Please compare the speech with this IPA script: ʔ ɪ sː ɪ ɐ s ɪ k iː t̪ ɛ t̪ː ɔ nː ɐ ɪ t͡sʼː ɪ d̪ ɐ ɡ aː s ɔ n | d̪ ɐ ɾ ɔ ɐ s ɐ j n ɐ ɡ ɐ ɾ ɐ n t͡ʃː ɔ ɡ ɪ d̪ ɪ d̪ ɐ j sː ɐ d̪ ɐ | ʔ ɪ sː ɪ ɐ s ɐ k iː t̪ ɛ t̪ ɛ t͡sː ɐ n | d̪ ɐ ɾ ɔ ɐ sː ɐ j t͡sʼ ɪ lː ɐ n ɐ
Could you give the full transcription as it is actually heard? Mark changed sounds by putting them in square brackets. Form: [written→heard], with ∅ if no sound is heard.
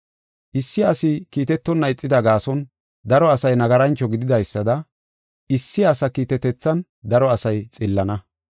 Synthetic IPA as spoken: ʔ ɪ sː ɪ ɐ s ɪ k iː t̪ ɛ t̪ː ɔ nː ɐ ɪ t͡sʼː ɪ d̪ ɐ ɡ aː s ɔ n | d̪ ɐ ɾ ɔ ɐ s ɐ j n ɐ ɡ ɐ ɾ ɐ n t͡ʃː ɔ ɡ ɪ d̪ ɪ d̪ ɐ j sː ɐ d̪ ɐ | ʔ ɪ sː ɪ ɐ s ɐ k iː t̪ ɛ t̪ ɛ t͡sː ɐ n | d̪ ɐ ɾ ɔ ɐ [sː→s] ɐ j t͡sʼ ɪ lː ɐ n ɐ

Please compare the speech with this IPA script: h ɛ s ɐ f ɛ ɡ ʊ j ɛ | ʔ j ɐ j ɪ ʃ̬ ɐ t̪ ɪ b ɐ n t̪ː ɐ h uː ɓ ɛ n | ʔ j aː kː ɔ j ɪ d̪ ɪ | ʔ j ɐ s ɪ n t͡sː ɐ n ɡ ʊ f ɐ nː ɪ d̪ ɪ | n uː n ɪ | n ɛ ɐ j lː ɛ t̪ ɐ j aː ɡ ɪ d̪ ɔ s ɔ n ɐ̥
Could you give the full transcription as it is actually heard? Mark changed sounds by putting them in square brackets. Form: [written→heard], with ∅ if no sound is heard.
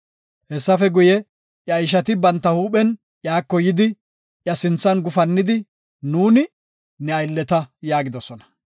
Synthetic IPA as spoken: h ɛ [s→sː] ɐ f ɛ ɡ ʊ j ɛ | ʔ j ɐ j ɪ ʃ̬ ɐ t̪ ɪ b ɐ n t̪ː ɐ h uː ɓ ɛ n | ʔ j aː kː ɔ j ɪ d̪ ɪ | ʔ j ɐ s ɪ n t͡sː ɐ n ɡ ʊ f ɐ nː ɪ d̪ ɪ | n uː n ɪ | n ɛ ɐ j lː ɛ t̪ ɐ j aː ɡ ɪ d̪ ɔ s ɔ n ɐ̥

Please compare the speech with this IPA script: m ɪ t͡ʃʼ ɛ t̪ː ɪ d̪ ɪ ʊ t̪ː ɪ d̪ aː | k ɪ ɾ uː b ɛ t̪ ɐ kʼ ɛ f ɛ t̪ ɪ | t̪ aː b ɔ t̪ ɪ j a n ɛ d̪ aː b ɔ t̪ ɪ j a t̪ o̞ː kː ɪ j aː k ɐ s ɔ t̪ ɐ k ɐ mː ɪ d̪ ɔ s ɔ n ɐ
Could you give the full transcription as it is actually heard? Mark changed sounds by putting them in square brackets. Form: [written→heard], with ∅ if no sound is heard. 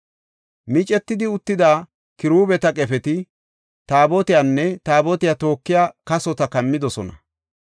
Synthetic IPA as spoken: m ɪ t͡ʃʼ ɛ t̪ː ɪ d̪ ɪ ʊ t̪ː ɪ d̪ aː | k ɪ ɾ uː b ɛ t̪ ɐ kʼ ɛ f ɛ t̪ ɪ | t̪ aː b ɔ t̪ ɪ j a [n→nː] ɛ [d̪→t̪] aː b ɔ t̪ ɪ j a t̪ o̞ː kː ɪ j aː k ɐ s ɔ t̪ ɐ k ɐ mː ɪ d̪ ɔ s ɔ n ɐ

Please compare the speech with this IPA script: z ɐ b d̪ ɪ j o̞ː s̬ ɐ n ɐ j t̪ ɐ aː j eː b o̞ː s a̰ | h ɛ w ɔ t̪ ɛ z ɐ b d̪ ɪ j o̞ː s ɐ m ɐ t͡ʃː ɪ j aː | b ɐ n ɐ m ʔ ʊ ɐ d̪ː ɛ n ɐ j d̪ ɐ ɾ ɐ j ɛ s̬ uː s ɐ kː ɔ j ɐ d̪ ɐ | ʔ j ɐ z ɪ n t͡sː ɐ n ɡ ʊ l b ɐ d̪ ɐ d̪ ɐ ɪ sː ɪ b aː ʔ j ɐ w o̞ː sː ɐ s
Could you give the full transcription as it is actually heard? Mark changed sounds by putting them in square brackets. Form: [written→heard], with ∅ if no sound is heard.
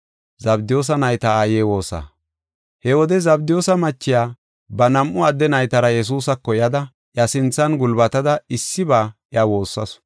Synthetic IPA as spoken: z ɐ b d̪ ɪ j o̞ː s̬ ɐ n ɐ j t̪ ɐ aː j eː [b→w] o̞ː s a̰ | h ɛ w ɔ [t̪→d̪] ɛ z ɐ b d̪ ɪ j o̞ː s ɐ m ɐ t͡ʃː ɪ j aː | b ɐ n ɐ m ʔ ʊ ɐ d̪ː ɛ n ɐ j [d̪→t̪] ɐ ɾ ɐ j ɛ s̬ uː s ɐ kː ɔ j ɐ d̪ ɐ | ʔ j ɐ [z→s] ɪ n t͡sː ɐ n ɡ ʊ l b ɐ [d̪→t̪] ɐ d̪ ɐ ɪ sː ɪ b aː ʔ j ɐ w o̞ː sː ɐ s

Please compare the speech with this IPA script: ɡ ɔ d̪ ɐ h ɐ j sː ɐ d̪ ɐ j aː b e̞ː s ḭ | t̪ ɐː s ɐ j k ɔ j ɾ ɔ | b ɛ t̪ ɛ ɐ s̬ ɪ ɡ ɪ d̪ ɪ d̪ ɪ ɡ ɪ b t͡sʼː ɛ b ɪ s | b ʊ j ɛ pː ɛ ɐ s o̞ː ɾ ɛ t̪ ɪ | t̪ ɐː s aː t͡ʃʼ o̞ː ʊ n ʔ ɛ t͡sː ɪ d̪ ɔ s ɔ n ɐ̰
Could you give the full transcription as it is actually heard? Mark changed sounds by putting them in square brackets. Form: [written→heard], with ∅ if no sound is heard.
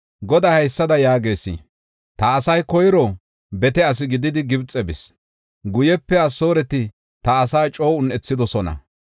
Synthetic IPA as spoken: ɡ ɔ d̪ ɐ h ɐ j sː ɐ d̪ ɐ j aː [b→ɡ] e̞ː s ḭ | t̪ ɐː s ɐ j k ɔ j ɾ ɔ | b ɛ t̪ ɛ ɐ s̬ ɪ ɡ ɪ d̪ ɪ d̪ ɪ ɡ ɪ b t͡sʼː ɛ b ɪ s | [b→ɡ] ʊ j ɛ pː ɛ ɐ s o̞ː ɾ ɛ t̪ ɪ | t̪ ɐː s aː t͡ʃʼ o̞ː ʊ n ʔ ɛ t͡sː ɪ d̪ ɔ s ɔ n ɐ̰

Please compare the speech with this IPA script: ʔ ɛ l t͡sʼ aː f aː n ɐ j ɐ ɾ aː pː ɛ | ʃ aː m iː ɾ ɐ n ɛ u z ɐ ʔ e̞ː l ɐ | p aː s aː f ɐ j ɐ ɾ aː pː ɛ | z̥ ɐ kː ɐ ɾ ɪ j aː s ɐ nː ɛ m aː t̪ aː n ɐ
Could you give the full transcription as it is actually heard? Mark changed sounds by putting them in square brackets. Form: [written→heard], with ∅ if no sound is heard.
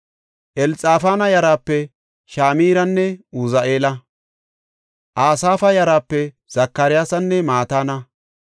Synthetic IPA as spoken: ʔ ɛ l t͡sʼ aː f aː n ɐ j ɐ ɾ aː pː ɛ | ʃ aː m iː ɾ ɐ [n→nː] ɛ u z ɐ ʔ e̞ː l ɐ | [p→ʔ] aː s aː f ɐ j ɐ ɾ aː pː ɛ | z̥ ɐ kː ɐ ɾ ɪ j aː s ɐ nː ɛ m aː t̪ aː n ɐ

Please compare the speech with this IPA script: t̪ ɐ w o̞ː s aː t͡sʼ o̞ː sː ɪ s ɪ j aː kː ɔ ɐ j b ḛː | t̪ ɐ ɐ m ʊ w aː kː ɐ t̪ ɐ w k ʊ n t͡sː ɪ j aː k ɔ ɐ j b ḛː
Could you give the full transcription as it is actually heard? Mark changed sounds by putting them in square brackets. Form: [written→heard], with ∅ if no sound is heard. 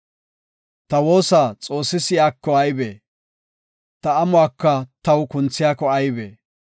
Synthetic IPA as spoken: t̪ ɐ w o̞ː s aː t͡sʼ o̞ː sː ɪ s ɪ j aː kː ɔ ɐ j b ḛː | t̪ ɐ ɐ m ʊ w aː kː ɐ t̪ ɐ w k ʊ n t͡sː ɪ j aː k ɔ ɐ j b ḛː

